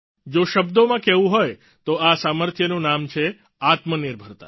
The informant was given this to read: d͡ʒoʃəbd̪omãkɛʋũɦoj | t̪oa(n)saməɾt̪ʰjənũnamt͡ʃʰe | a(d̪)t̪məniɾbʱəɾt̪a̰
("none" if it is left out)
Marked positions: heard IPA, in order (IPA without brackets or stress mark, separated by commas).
none, none